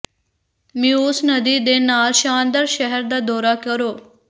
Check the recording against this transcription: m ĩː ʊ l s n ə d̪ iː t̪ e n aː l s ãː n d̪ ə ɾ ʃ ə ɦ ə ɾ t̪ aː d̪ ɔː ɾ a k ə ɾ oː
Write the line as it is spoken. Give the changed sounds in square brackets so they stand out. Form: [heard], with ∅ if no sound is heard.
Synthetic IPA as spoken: m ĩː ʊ [∅] s n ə d̪ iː [d̪] e n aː l [ʃ] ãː n d̪ ə ɾ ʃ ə ɦ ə ɾ [d̪] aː d̪ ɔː ɾ a k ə ɾ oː